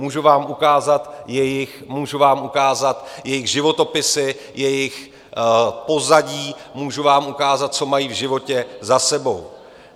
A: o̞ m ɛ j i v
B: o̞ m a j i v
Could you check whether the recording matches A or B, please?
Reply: B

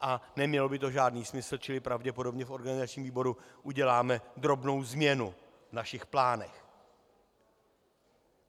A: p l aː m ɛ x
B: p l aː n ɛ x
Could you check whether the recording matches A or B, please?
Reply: B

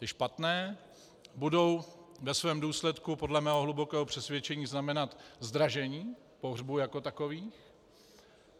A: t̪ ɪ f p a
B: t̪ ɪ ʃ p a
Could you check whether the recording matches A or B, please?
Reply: B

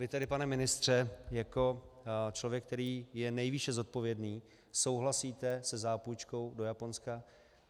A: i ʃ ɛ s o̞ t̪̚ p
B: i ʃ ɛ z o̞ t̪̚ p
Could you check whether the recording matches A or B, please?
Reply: B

